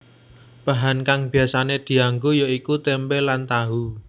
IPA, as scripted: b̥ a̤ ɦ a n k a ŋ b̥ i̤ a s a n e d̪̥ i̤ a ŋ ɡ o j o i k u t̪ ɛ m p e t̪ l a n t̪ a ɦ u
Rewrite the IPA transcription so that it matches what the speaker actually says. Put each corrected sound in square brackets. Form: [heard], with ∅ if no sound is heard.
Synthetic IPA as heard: b̥ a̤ ɦ a n k a ŋ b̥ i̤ a s a n e d̪̥ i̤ a ŋ ɡ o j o i k u t̪ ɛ m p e [∅] l a n t̪ a ɦ u